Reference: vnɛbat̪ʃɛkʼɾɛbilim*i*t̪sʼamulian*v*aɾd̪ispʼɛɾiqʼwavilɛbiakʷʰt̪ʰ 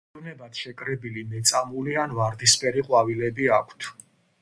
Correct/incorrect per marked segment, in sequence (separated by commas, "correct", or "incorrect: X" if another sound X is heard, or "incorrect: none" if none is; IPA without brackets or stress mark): incorrect: ɛ, correct